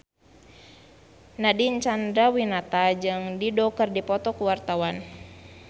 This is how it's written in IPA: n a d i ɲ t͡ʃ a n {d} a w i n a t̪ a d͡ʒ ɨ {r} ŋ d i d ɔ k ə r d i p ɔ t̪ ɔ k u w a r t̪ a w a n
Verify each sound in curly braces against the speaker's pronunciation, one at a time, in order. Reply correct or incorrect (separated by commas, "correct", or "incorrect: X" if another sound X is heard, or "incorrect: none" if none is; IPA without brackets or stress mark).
correct, incorrect: none